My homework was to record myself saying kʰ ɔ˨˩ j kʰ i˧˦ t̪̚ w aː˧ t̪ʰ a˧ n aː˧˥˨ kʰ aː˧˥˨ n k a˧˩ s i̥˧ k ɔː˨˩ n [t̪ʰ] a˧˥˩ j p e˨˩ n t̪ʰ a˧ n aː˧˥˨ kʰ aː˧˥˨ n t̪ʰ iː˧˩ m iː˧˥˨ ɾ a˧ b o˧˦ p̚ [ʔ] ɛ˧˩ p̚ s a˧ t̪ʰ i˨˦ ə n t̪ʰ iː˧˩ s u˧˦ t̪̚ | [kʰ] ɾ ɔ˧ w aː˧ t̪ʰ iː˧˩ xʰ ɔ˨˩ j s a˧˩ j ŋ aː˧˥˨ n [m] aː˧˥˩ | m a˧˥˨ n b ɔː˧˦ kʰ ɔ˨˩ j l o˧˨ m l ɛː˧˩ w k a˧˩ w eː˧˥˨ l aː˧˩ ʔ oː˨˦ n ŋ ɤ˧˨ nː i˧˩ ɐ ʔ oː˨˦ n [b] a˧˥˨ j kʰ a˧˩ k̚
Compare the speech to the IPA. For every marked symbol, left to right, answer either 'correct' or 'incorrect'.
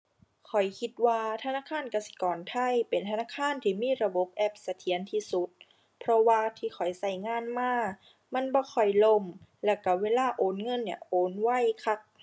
correct, correct, incorrect, correct, incorrect

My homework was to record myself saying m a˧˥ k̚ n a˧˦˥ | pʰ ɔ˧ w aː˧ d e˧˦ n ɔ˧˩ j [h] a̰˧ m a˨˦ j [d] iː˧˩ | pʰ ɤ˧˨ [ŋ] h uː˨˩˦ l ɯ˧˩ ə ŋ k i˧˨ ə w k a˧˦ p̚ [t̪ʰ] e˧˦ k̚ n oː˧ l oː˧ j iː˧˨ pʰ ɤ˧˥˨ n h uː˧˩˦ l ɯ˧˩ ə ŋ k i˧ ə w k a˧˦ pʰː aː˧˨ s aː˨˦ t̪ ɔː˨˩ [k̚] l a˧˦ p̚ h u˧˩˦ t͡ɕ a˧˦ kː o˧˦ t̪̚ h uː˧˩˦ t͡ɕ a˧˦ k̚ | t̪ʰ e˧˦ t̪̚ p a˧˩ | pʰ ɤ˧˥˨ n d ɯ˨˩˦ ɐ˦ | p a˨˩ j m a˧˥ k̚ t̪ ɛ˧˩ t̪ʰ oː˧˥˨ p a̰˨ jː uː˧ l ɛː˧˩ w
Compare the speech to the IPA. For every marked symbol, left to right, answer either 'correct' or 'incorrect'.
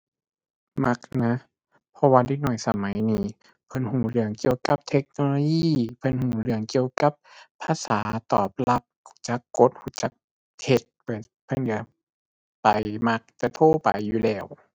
incorrect, incorrect, incorrect, correct, incorrect

